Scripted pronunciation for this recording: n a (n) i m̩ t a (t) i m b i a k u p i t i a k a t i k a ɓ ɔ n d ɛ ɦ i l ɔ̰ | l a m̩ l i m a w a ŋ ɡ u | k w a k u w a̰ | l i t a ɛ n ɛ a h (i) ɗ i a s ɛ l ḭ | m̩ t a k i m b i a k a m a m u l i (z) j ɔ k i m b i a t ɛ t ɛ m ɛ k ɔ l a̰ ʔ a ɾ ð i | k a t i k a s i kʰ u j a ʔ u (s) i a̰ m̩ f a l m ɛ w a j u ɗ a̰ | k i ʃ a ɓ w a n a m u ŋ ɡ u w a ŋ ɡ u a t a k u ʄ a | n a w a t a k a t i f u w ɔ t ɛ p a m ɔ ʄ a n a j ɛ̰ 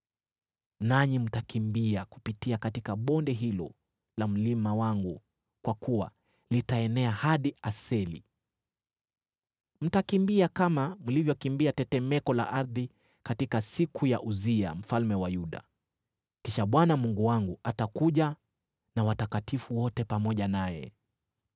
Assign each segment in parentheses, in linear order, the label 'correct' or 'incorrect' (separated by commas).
incorrect, incorrect, incorrect, incorrect, incorrect